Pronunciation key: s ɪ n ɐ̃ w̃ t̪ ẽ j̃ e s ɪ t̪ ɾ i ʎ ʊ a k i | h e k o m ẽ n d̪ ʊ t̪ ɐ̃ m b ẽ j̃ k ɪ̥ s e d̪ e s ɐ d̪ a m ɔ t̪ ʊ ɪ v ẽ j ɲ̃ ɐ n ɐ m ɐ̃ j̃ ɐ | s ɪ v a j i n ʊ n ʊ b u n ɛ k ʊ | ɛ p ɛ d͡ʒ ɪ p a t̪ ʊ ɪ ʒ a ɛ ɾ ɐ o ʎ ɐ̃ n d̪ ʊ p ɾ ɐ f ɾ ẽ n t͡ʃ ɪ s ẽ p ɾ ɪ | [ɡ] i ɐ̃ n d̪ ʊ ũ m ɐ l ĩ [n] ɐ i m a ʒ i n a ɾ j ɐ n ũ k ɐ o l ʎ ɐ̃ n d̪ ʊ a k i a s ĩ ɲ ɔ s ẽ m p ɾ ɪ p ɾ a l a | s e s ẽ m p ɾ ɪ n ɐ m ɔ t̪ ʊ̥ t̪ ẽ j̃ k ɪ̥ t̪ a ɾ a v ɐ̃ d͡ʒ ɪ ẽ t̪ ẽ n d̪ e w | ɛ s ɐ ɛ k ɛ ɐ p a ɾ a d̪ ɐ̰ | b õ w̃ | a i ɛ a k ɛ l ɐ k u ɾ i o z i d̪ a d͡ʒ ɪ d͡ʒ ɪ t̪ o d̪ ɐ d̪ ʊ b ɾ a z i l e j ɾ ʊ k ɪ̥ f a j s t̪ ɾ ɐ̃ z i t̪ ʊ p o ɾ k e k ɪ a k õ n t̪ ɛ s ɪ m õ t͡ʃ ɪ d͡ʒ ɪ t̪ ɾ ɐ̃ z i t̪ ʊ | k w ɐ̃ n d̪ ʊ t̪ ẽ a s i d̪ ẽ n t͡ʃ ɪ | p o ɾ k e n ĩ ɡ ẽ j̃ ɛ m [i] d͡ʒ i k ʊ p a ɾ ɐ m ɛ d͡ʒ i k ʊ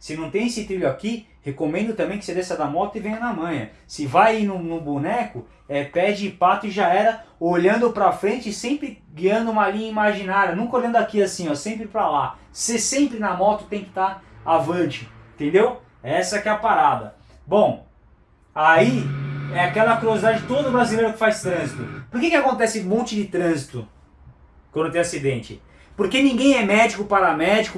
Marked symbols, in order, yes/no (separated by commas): yes, no, no